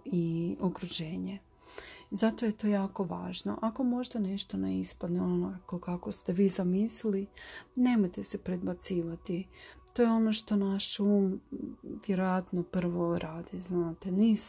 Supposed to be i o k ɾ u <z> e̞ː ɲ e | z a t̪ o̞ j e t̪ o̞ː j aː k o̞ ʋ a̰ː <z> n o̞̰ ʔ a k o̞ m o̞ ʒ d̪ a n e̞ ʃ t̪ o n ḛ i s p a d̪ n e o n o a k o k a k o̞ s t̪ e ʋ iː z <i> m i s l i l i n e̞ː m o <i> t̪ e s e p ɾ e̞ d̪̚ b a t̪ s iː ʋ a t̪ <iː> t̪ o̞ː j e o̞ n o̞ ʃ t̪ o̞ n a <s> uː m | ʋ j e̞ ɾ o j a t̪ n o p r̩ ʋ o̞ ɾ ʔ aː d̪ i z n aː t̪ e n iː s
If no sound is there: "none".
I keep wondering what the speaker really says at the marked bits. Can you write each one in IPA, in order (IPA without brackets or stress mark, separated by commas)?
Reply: ʒ, ʒ, a, j, i, ʃ